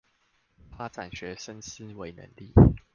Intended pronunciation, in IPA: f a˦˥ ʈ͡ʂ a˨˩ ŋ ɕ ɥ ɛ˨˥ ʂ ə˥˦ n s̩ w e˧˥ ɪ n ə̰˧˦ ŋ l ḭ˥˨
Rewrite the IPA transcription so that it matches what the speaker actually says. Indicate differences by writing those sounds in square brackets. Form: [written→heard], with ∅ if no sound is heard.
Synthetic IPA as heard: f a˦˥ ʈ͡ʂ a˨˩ [ŋ→n] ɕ ɥ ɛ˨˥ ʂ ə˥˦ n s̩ w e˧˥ ɪ n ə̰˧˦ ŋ l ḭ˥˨